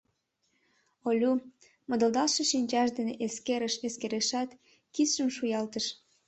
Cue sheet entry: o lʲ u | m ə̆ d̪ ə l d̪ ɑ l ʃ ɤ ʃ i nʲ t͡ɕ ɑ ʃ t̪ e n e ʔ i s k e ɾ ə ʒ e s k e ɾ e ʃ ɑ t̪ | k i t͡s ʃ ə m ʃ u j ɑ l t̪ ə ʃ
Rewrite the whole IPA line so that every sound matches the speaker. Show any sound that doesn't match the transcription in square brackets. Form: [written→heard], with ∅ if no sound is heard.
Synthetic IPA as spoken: o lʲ u | m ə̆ d̪ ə l d̪ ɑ l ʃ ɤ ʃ i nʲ t͡ɕ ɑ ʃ [t̪→d̪] e n e ʔ [i→e] s k e ɾ ə [ʒ→ʃ] e s k e ɾ e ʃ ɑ t̪ | k i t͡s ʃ ə m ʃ u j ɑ l t̪ ə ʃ